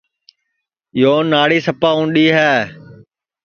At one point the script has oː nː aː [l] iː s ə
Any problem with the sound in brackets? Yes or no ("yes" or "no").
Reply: yes